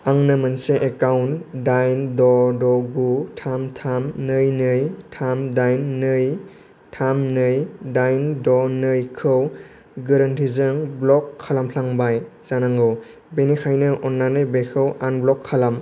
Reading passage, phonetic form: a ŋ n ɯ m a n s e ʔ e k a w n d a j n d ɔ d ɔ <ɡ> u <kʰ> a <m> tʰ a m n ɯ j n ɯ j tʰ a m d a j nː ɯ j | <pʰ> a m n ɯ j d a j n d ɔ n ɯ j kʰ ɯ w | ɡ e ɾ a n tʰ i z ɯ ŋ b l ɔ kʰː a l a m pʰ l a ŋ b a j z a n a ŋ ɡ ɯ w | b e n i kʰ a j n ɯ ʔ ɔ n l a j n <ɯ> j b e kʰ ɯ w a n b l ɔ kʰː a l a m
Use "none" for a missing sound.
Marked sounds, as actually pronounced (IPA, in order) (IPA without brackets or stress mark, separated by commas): ɡ, tʰ, m, tʰ, ɯ